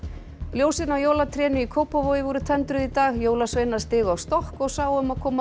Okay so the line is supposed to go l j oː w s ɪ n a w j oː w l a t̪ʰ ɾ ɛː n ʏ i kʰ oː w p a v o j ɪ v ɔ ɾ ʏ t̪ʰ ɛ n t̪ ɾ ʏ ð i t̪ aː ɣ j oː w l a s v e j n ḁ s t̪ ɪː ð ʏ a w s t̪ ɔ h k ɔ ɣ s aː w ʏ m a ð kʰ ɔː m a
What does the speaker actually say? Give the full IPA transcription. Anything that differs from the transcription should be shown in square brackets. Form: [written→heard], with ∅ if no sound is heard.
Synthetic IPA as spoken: l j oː w s ɪ n a w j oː w l a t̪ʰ ɾ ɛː n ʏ i kʰ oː w p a v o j ɪ v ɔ ɾ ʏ t̪ʰ ɛ n t̪ ɾ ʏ ð i t̪ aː ɣ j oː w l a s v e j n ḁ s t̪ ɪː [ð→ɣ] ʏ a w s t̪ ɔ h k ɔ ɣ s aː w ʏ m a ð kʰ ɔː m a